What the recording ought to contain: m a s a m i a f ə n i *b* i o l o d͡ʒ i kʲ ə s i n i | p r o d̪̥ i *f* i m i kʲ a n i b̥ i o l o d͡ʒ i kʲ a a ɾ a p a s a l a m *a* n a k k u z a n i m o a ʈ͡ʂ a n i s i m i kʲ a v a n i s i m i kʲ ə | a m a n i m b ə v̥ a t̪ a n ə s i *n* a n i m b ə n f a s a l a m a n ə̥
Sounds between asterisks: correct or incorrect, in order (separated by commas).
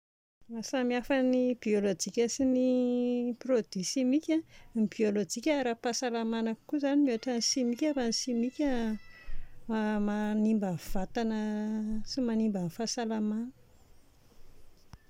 correct, incorrect, correct, incorrect